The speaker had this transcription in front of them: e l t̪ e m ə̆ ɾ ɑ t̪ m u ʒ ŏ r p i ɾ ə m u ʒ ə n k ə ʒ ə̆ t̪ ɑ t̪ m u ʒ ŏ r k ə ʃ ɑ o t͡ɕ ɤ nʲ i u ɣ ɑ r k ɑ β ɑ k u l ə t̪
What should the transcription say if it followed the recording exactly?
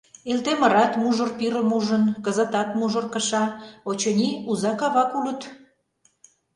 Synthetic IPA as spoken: e l t̪ e m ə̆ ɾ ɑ t̪ m u ʒ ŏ r p i ɾ ə m u ʒ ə n k ə z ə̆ t̪ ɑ t̪ m u ʒ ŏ r k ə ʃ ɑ o t͡ɕ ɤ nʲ i u z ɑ k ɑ β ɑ k u l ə t̪